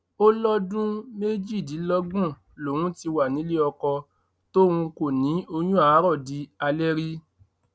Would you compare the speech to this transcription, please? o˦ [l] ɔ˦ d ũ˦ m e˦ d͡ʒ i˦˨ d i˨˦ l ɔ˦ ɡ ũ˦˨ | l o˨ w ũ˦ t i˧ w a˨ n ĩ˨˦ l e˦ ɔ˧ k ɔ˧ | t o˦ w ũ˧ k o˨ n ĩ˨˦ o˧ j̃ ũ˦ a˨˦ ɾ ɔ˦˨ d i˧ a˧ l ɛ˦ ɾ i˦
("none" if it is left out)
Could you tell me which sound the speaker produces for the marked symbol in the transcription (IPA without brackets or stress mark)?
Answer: l